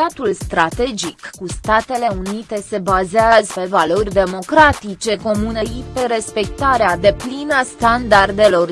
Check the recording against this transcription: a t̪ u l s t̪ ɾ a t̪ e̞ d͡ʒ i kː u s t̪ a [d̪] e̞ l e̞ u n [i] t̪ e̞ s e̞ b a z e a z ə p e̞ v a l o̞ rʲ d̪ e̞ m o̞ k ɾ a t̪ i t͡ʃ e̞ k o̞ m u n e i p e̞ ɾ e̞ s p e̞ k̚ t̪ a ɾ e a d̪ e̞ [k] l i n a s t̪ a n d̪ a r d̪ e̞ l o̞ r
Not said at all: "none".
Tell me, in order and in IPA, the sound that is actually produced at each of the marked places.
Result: t̪, i, p

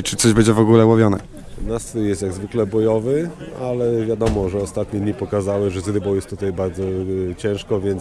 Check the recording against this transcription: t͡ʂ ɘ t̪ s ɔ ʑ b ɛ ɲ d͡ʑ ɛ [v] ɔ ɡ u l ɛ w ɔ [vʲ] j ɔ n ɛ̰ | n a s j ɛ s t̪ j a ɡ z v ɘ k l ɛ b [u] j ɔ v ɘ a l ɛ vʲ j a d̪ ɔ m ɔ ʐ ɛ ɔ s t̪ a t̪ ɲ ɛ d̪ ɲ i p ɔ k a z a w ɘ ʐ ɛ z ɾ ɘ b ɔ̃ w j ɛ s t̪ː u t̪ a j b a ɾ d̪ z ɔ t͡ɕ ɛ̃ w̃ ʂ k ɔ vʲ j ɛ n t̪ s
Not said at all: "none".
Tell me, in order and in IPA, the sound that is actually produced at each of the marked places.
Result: v, vʲ, ɔ

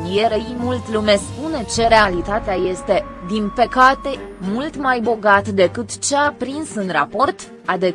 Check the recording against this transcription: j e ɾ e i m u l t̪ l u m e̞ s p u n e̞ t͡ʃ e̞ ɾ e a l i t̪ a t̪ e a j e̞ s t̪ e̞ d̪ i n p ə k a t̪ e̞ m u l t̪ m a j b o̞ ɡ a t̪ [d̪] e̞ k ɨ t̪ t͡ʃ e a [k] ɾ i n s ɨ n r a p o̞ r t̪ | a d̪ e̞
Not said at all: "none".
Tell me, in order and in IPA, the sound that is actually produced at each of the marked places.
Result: d̪, p

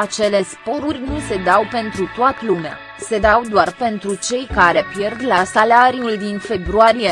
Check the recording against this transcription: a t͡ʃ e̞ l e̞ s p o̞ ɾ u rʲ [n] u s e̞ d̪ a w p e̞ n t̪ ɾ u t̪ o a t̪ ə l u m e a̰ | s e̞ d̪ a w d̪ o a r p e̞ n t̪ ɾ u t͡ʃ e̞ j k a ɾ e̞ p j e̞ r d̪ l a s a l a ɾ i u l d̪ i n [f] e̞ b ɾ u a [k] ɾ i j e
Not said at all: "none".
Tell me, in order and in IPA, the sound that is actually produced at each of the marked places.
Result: n, f, none

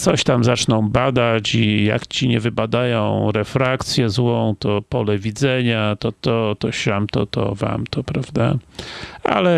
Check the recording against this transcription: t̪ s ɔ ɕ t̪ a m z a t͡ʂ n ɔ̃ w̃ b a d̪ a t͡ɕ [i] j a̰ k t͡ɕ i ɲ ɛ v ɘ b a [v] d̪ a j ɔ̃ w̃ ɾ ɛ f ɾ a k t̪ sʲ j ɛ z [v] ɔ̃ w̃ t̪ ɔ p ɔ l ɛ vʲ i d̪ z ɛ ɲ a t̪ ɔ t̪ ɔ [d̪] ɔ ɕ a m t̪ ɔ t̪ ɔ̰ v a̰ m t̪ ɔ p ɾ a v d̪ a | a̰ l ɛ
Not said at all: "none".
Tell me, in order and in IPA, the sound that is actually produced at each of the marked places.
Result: i, none, w, t̪

